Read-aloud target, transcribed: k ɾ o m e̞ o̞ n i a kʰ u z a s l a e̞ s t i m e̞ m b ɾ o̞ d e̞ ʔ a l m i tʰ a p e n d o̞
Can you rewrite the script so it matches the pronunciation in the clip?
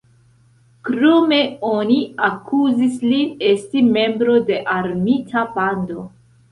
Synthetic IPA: k ɾ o m e̞ o̞ n i a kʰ u z i s l i e̞ s t i m e̞ m b ɾ o̞ d e̞ ʔ a ɾ m i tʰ a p a n d o̞